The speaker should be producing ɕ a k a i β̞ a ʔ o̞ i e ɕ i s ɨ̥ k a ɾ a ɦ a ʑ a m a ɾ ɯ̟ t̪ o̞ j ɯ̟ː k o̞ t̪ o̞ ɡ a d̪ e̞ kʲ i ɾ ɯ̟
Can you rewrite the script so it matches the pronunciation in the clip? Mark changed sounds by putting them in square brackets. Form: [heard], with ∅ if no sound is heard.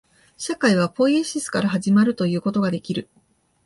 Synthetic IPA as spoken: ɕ a k a i β̞ a [p] o̞ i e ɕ i s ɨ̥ k a ɾ a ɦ a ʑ [i] m a ɾ ɯ̟ t̪ o̞ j ɯ̟ː k o̞ t̪ o̞ ɡ a d̪ e̞ kʲ i ɾ ɯ̟